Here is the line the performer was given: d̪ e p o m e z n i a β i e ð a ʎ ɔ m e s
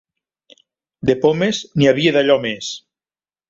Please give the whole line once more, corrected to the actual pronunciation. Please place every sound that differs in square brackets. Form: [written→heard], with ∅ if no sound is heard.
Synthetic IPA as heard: d̪ e p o m e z n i a β i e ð a ʎ ɔ m e s